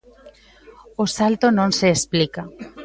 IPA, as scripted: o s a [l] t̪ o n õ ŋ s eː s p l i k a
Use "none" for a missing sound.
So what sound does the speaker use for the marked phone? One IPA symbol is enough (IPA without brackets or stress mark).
l